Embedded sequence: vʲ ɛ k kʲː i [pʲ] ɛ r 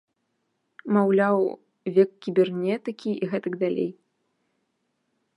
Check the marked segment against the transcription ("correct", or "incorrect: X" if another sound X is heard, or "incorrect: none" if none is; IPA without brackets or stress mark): incorrect: bʲ